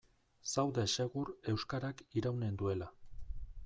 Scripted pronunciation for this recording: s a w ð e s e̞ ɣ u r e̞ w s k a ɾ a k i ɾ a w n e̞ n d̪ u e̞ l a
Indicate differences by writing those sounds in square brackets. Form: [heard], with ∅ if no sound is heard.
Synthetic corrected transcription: s a w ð e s e̞ ɣ u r e̞ w s k a ɾ a k i ɾ a w n e̞ n d̪ u e̞ l a